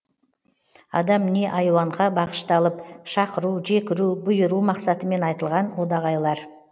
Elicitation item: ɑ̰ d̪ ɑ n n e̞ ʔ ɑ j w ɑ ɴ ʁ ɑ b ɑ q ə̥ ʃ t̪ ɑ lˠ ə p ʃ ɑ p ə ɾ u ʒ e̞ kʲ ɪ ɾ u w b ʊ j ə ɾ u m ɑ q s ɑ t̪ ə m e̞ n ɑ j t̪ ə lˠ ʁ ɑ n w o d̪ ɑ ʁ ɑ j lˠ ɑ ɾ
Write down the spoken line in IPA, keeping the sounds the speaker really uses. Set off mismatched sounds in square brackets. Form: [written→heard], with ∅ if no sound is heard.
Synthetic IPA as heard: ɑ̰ d̪ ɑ [n→m] n e̞ ʔ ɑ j w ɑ ɴ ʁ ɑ b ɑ q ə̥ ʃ t̪ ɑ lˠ ə p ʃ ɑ [p→q] ə ɾ u ʒ e̞ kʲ ɪ ɾ u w b ʊ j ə ɾ u m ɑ q s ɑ t̪ ə m e̞ n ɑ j t̪ ə lˠ ʁ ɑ n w o d̪ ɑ ʁ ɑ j lˠ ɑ ɾ